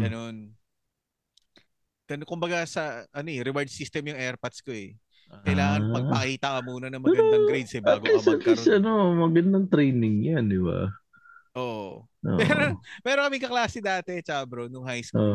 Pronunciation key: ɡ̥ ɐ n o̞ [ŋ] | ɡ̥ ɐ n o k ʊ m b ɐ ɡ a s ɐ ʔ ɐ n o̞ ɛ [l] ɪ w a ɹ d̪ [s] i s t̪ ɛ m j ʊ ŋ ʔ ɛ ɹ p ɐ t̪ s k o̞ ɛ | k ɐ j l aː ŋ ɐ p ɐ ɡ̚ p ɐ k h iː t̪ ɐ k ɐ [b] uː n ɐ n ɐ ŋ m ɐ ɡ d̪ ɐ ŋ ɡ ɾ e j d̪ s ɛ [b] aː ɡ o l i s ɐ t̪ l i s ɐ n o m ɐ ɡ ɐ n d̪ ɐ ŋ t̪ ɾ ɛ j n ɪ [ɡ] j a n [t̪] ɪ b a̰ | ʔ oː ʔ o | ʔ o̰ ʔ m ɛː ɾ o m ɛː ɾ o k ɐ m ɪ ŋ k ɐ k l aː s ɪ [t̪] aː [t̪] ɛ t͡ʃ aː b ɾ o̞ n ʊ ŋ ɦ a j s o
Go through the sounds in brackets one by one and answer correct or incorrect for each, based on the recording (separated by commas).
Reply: incorrect, incorrect, correct, incorrect, correct, incorrect, incorrect, incorrect, correct